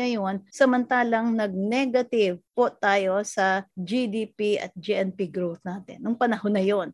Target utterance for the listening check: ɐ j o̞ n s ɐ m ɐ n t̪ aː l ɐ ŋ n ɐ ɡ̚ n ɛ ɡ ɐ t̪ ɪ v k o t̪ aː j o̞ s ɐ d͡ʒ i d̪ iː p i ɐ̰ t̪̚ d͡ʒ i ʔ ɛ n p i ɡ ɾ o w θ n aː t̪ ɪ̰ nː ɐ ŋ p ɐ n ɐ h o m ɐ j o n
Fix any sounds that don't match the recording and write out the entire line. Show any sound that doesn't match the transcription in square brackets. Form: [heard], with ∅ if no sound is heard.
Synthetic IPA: ɐ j o̞ n s ɐ m ɐ n t̪ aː l ɐ ŋ n ɐ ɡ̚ n ɛ ɡ ɐ t̪ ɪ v [p] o t̪ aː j o̞ s ɐ d͡ʒ i d̪ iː p i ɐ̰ t̪̚ d͡ʒ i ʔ ɛ n p i ɡ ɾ o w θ n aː t̪ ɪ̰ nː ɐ ŋ p ɐ n ɐ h o [n] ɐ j o n